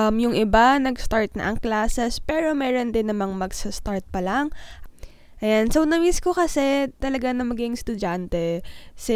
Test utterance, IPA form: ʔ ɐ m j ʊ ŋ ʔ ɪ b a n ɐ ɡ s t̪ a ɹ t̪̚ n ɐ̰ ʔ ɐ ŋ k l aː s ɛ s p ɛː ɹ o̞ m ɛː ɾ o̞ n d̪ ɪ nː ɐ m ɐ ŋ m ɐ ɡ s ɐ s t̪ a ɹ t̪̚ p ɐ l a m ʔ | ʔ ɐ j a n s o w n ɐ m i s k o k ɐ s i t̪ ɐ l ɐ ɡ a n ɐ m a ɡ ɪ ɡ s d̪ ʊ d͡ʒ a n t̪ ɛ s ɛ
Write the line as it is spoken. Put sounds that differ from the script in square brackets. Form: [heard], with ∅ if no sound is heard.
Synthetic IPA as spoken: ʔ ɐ m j ʊ ŋ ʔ ɪ b a n ɐ ɡ s t̪ a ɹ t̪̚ n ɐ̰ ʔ ɐ ŋ k l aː s ɛ s p ɛː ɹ o̞ m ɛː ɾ o̞ n d̪ ɪ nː ɐ m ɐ ŋ m ɐ ɡ s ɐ s t̪ a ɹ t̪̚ p ɐ l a [ŋ] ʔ | ʔ ɐ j a n s o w n ɐ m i s k o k ɐ s [ɛ] t̪ ɐ l ɐ ɡ a n ɐ m [ɐ] ɡ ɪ [ŋ] s [t̪] ʊ d͡ʒ a n t̪ ɛ s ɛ